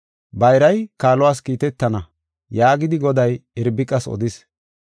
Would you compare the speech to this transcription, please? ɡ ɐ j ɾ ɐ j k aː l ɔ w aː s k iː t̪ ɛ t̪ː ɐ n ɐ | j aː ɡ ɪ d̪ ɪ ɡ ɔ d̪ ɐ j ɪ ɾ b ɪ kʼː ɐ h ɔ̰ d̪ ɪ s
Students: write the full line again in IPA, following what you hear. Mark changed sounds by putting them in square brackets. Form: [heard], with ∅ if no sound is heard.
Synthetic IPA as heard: [b] ɐ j ɾ ɐ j k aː l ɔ w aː s k iː t̪ ɛ t̪ː ɐ n ɐ | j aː ɡ ɪ d̪ ɪ ɡ ɔ d̪ ɐ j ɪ ɾ b ɪ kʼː ɐ [s] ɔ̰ d̪ ɪ s